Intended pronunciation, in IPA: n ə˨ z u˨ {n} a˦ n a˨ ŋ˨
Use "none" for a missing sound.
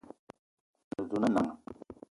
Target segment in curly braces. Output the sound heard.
n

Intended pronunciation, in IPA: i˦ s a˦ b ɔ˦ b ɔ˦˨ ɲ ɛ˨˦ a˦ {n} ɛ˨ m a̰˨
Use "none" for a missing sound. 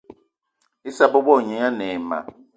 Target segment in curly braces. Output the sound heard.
n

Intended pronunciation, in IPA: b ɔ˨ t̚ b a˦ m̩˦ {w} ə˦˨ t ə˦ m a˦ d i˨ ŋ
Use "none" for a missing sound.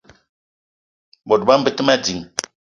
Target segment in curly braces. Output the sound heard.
b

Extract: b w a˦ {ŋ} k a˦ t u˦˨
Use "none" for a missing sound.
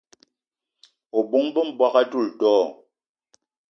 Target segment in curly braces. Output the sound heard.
none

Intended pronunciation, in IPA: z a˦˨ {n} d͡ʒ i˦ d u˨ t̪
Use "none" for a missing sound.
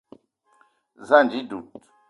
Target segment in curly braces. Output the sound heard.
n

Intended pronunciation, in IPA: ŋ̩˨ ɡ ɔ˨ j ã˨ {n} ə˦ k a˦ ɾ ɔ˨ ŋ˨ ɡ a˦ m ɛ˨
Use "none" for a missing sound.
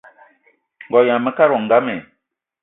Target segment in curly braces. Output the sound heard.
m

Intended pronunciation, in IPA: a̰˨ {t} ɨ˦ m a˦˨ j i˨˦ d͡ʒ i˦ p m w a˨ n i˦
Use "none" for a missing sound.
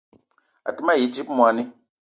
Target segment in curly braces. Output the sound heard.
t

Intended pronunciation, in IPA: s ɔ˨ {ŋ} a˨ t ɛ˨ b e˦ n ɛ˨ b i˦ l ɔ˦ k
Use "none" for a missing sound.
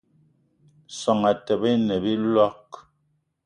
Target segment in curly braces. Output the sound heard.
ŋ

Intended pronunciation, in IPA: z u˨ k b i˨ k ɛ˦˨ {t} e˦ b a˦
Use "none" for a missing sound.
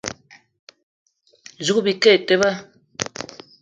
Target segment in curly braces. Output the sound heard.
t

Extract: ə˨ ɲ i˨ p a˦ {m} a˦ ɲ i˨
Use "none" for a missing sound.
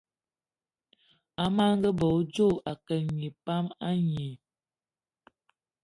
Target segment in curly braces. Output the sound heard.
m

